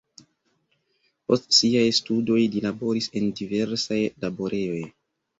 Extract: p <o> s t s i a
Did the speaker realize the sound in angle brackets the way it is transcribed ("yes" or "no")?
yes